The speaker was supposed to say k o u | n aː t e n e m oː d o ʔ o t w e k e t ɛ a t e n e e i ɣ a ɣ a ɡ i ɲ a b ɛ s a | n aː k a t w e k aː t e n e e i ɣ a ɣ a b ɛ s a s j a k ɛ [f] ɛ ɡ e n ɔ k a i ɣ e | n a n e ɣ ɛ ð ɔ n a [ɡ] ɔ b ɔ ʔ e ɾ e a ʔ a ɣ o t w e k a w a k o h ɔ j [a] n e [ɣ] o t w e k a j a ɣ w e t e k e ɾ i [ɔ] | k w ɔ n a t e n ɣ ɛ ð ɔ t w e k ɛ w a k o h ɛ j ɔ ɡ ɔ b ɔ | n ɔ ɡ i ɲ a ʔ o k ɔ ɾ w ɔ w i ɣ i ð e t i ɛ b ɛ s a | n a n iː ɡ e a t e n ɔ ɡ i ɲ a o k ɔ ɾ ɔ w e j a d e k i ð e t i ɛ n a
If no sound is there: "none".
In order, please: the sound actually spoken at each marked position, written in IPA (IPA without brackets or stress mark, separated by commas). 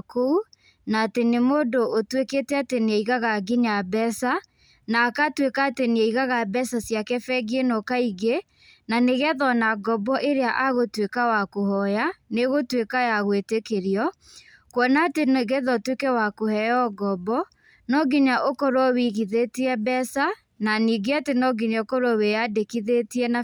f, ɡ, a, ɣ, ɔ